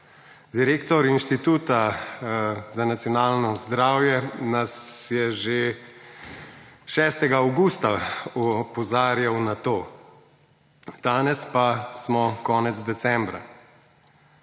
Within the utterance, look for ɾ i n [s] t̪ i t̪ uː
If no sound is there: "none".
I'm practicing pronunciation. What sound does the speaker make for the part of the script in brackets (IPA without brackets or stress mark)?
ʃ